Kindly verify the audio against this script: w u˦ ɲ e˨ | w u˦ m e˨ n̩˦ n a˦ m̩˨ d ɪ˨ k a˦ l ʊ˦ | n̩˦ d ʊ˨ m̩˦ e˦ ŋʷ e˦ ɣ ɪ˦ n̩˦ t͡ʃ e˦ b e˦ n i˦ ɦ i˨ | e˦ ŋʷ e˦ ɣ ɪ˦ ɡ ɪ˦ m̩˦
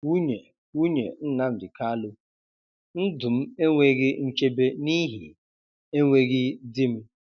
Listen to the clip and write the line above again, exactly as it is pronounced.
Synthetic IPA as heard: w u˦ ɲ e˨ | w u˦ ɲ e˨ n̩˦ n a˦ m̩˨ d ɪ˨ k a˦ l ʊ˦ | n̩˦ d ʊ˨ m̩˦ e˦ ŋʷ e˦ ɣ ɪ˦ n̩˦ t͡ʃ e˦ b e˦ n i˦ ɦ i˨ | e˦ ŋʷ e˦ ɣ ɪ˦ d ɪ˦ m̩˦